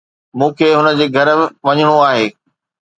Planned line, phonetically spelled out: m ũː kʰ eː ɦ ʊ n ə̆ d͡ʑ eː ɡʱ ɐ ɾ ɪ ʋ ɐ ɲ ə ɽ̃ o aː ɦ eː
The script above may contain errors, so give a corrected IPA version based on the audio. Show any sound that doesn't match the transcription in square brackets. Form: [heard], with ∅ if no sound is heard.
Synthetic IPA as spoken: m ũː kʰ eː ɦ ʊ n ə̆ d͡ʑ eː ɡʱ ɐ ɾ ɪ ʋ ɐ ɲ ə ɽ̃ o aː ɦ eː